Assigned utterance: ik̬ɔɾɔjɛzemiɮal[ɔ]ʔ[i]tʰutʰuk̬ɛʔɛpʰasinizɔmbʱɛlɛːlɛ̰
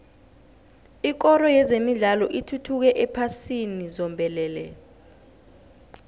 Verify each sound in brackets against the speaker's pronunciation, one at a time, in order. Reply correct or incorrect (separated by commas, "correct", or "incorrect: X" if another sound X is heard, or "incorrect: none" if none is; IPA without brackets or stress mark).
correct, correct